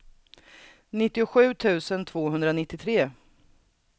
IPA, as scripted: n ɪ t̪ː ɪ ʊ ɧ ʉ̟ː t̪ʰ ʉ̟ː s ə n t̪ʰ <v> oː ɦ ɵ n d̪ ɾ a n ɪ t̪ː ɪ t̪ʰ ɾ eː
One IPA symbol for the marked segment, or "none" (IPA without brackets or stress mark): v